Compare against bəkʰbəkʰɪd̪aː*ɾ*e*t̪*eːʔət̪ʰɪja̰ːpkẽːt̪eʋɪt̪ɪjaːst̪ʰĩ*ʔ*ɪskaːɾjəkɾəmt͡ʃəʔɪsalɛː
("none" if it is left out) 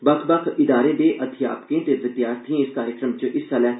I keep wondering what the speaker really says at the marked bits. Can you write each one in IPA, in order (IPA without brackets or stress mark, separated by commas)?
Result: ɾ, d̪, none